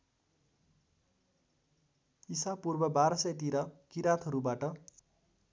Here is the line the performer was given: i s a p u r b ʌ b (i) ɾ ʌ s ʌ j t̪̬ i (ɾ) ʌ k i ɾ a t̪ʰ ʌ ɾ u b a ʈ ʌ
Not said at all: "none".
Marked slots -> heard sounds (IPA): a, ɾ

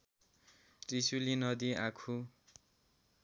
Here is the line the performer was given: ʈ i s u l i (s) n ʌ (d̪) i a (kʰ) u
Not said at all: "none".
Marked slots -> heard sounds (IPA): none, d̪, kʰ

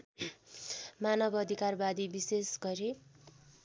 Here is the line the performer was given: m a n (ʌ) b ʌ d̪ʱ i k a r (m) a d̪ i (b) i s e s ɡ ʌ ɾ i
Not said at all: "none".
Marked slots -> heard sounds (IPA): ʌ, b, b

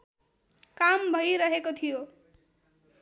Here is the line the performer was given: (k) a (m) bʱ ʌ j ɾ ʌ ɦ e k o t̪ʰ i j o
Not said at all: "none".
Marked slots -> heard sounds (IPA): k, m

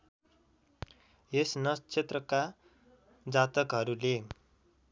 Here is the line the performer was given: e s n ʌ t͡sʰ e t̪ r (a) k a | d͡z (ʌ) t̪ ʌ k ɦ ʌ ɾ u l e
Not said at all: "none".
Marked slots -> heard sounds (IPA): ʌ, a

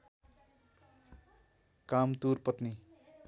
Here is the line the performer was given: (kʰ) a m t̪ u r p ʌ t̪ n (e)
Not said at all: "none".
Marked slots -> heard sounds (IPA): k, i

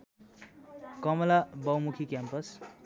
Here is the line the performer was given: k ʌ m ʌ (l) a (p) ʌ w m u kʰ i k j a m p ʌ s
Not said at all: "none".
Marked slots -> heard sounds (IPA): l, b

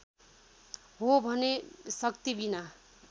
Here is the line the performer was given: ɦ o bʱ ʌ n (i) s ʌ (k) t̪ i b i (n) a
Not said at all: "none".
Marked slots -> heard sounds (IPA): e, k, n

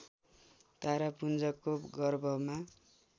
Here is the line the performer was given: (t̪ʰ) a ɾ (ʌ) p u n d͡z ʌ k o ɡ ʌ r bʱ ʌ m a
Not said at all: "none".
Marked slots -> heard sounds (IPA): t̪, a

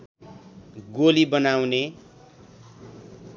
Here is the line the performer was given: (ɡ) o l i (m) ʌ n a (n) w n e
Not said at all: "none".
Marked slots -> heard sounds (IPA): ɡ, b, none

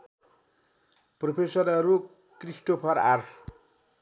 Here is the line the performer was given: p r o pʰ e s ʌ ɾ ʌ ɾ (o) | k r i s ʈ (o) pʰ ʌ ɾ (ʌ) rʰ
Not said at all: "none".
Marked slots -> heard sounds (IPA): u, o, a

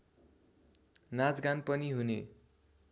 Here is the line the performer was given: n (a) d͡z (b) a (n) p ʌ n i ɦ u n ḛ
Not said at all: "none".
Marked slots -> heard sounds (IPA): a, ɡ, n

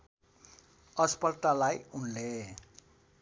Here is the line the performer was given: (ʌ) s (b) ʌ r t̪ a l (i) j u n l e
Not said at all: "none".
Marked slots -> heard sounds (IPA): ʌ, p, a

